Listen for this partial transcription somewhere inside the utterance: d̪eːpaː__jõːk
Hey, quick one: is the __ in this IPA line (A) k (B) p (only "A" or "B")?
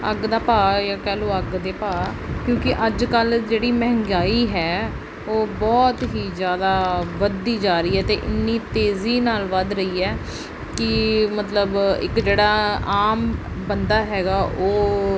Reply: A